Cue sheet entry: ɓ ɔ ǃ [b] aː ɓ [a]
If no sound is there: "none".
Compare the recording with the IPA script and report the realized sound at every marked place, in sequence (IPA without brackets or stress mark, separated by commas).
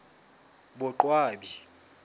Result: w, i